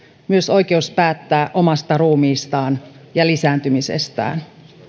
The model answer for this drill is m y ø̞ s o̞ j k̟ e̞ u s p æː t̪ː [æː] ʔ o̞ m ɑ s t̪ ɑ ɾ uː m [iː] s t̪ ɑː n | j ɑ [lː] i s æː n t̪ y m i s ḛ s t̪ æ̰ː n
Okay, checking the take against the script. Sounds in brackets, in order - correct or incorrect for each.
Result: correct, correct, incorrect: l

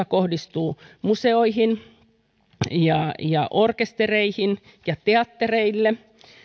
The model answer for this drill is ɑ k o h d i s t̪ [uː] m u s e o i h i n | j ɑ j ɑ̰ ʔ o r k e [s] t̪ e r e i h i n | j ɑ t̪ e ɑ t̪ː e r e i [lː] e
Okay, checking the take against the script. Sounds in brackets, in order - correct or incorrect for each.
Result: correct, correct, correct

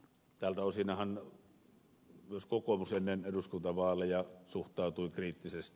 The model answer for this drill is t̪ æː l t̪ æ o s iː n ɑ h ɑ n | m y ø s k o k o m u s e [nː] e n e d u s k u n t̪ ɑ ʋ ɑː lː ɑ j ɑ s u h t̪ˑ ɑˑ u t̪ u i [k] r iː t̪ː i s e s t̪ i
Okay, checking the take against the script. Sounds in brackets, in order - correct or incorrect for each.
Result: correct, correct

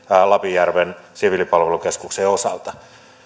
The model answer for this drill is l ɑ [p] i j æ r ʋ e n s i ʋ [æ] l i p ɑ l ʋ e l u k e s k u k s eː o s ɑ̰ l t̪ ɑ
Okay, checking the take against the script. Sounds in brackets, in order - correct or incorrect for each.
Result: correct, incorrect: i

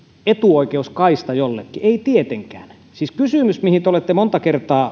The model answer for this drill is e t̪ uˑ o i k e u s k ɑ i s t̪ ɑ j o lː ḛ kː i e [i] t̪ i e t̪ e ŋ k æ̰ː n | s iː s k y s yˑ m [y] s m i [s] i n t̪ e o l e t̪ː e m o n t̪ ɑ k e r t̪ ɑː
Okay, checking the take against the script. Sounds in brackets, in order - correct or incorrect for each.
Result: correct, correct, incorrect: h

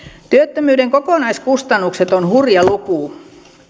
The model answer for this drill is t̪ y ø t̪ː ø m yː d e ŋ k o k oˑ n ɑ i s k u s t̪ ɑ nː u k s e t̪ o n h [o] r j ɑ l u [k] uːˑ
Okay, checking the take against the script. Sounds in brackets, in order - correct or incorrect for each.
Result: incorrect: u, correct

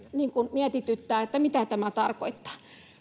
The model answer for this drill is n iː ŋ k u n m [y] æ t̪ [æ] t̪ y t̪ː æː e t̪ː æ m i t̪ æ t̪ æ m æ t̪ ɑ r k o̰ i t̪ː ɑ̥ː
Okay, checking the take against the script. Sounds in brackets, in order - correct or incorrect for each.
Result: incorrect: i, incorrect: i

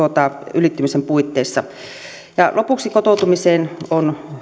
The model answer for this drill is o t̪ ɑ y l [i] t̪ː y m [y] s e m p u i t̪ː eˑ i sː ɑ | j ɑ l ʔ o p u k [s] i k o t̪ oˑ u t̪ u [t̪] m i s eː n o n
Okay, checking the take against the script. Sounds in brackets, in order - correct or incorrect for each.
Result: correct, incorrect: i, correct, incorrect: none

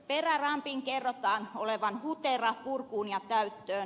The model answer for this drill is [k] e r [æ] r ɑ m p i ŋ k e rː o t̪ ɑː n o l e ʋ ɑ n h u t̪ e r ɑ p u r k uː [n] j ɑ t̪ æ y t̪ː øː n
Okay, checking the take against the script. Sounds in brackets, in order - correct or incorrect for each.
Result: incorrect: p, correct, correct

